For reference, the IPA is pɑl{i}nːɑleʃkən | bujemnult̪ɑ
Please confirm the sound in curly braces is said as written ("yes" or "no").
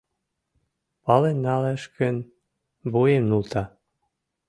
no